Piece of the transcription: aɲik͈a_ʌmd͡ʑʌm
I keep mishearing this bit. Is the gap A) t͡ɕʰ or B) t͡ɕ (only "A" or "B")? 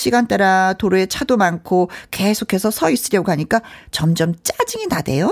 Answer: B